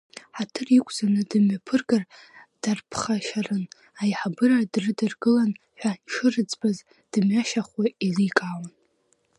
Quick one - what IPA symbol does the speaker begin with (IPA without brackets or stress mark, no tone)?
ħ